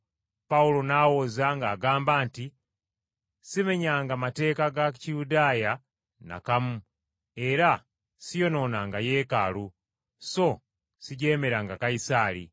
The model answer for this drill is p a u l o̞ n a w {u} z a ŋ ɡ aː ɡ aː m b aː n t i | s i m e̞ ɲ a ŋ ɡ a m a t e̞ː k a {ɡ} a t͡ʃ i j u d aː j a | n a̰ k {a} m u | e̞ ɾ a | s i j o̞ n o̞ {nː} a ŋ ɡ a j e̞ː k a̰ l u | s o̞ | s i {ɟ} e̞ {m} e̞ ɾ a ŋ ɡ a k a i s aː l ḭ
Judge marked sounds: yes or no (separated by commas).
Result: no, yes, yes, no, yes, yes